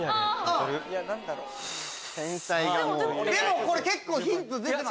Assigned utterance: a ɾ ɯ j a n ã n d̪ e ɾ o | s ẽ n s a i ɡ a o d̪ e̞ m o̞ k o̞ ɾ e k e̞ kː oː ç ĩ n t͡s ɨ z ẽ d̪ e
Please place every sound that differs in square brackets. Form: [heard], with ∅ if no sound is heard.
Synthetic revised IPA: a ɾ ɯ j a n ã n d̪ [a] ɾ o | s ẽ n s a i ɡ a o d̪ e̞ m o̞ k o̞ ɾ e k e̞ kː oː ç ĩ n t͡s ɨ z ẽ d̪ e